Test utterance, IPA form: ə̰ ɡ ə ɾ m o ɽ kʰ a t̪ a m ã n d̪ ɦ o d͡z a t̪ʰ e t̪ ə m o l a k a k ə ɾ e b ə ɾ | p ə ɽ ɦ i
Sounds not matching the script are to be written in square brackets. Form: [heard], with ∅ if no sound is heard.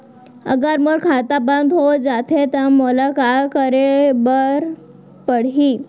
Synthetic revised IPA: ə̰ ɡ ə ɾ m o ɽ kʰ a t̪ a [b] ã n d̪ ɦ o d͡z a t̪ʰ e t̪ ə m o l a k a k ə ɾ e b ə ɾ | p ə ɽ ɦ i